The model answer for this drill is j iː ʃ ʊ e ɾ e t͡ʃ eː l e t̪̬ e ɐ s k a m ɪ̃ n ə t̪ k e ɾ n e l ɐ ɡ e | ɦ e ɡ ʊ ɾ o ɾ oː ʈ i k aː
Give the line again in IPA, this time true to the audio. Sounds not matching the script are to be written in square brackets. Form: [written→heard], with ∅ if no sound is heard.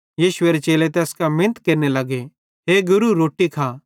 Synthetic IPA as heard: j iː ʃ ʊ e ɾ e t͡ʃ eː l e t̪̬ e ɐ s k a m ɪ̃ n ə t̪ k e ɾ n e l ɐ ɡ e | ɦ e ɡ ʊ ɾ [o→u] ɾ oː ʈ i [k→kʰ] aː